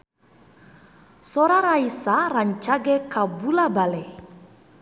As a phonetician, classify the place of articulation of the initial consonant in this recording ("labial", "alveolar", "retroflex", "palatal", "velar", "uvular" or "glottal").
alveolar